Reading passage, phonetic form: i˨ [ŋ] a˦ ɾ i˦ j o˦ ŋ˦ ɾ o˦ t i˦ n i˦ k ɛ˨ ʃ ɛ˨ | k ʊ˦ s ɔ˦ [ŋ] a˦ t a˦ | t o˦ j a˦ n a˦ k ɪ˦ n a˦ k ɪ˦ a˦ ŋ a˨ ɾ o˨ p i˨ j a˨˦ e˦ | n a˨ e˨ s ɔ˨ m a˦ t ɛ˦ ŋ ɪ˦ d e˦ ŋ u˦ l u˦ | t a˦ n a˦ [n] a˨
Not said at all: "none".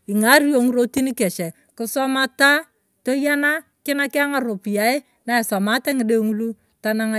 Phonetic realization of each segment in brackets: ŋ, m, ŋ

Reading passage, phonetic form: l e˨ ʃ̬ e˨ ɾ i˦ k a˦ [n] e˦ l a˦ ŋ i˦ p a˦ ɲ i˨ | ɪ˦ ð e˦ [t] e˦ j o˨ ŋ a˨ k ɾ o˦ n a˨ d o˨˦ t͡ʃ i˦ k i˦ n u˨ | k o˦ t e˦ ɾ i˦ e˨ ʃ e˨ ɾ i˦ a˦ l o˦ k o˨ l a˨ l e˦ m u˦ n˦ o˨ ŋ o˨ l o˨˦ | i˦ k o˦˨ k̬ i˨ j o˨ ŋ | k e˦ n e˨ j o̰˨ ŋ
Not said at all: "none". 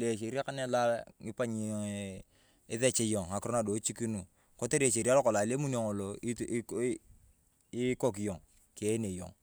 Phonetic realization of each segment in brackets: n, t͡ʃ

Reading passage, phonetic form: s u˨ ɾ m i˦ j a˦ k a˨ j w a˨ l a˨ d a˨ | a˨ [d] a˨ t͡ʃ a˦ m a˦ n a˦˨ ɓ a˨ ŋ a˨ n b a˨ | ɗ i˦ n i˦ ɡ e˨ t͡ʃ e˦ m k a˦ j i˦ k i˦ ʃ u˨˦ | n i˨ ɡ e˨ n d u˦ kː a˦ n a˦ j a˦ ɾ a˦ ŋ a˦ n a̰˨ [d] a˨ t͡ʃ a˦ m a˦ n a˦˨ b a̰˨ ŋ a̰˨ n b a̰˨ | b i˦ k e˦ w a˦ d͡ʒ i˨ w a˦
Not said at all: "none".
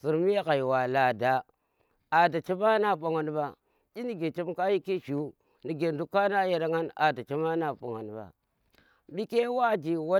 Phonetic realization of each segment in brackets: d, d

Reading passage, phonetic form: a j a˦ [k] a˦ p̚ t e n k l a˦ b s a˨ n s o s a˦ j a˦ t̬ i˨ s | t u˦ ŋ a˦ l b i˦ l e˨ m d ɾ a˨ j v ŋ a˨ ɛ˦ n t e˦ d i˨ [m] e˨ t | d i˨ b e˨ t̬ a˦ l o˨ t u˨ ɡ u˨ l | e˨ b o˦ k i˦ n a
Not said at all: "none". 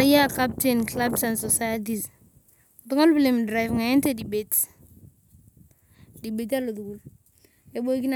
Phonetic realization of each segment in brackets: k, b

